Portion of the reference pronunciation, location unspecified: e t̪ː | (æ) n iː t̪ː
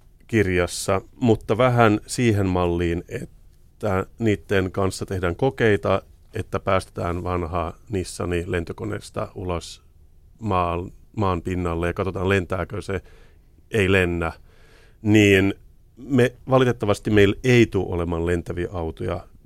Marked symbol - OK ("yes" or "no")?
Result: yes